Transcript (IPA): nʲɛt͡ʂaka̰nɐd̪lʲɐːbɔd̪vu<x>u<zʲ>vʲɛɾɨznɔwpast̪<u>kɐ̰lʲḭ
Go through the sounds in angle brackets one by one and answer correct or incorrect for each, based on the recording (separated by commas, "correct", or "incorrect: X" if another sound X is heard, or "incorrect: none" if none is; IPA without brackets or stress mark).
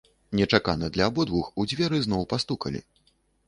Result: correct, incorrect: d͡zʲ, correct